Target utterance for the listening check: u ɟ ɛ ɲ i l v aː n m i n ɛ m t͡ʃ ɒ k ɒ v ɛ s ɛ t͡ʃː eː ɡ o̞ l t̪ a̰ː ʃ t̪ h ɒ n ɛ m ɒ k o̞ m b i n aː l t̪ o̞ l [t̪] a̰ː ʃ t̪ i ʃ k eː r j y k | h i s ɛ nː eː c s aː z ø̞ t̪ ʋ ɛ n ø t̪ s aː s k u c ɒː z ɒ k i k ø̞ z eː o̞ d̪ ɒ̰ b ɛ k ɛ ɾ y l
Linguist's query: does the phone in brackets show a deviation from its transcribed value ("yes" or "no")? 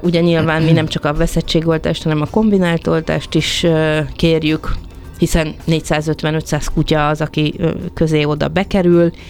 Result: no